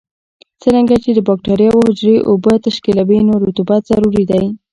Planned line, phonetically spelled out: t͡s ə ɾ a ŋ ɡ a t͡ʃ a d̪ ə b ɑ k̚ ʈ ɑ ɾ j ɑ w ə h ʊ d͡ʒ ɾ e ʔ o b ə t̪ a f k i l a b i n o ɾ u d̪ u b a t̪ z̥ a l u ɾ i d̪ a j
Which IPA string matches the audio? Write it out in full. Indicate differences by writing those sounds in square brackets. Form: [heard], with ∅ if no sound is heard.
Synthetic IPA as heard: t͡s ə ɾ a ŋ ɡ a t͡ʃ [e] d̪ ə b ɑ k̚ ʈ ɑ ɾ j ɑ w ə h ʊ d͡ʒ ɾ e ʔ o b ə t̪ a [ʃ] k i l a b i n o ɾ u [t̪] u b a t̪ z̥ a [ɾ] u ɾ i d̪ a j